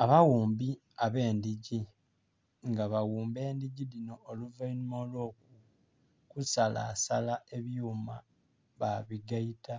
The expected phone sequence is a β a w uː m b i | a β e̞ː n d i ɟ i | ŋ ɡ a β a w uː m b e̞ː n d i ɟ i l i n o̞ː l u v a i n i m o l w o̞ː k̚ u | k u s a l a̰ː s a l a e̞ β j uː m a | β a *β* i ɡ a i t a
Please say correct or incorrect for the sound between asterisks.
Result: correct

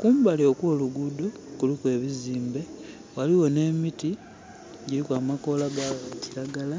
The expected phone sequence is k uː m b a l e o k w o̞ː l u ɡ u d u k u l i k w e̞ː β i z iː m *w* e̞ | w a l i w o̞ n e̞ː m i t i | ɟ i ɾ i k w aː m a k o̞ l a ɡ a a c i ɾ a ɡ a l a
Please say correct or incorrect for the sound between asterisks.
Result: incorrect: b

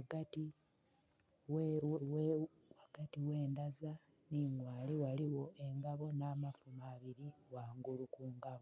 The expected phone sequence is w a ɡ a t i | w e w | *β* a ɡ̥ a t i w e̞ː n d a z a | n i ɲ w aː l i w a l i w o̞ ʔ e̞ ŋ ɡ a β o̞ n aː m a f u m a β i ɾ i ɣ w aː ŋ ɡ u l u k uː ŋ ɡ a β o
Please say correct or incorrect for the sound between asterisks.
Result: incorrect: w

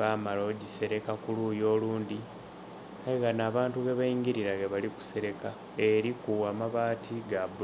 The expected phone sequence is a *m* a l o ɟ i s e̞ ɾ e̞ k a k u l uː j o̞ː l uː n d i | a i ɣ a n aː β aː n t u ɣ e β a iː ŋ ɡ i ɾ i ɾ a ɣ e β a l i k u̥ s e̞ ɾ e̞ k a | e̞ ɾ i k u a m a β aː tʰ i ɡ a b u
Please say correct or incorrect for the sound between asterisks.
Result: correct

